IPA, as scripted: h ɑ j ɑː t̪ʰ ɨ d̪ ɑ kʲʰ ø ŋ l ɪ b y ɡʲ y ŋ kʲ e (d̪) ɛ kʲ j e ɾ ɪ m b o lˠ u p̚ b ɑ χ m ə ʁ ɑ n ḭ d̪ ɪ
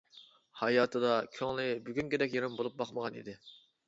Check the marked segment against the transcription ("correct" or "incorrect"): correct